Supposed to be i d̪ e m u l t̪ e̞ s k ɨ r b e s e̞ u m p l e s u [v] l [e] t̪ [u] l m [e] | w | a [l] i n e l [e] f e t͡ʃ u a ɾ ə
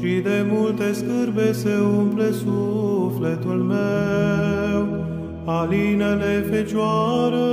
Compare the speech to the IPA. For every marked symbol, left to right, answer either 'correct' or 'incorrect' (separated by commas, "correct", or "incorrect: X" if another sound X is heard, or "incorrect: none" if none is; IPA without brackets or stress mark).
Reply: incorrect: f, correct, correct, correct, correct, correct